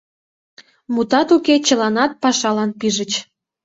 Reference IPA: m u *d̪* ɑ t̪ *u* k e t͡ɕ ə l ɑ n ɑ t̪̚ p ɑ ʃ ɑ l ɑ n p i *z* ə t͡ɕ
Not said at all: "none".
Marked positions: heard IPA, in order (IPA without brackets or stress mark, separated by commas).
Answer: t̪, u, ʒ